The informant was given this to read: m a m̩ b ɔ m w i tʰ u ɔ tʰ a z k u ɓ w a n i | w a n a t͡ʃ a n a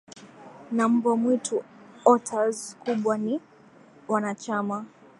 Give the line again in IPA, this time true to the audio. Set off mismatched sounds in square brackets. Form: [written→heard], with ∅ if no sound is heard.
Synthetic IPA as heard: [m→n] a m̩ b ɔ m w i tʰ u ɔ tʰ a z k u ɓ w a n i | w a n a t͡ʃ a [n→m] a